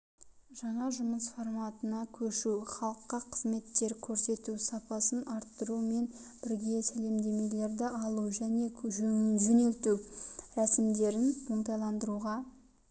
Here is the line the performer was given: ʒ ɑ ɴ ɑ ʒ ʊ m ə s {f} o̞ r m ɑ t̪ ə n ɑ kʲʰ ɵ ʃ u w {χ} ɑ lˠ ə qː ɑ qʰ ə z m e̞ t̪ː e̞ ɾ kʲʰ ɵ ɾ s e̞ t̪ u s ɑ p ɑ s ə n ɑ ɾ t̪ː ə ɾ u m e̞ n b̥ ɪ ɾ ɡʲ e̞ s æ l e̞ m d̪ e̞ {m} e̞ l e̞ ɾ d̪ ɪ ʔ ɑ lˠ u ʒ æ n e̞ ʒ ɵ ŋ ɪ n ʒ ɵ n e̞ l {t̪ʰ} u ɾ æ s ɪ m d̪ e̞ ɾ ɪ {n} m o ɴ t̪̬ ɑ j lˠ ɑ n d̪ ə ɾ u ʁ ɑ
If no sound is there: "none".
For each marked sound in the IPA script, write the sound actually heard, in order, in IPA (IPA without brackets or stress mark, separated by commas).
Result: f, χ, m, t̪, n